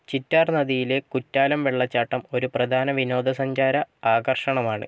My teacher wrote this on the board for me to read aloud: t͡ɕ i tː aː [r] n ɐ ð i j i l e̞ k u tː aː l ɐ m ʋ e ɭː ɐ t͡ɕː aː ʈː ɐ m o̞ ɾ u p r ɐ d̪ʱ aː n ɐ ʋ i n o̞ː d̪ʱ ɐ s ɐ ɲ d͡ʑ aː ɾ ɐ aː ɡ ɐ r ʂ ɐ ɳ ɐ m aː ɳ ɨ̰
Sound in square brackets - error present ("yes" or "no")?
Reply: no